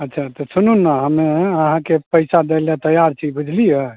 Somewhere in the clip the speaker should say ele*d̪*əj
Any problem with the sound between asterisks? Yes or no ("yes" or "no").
yes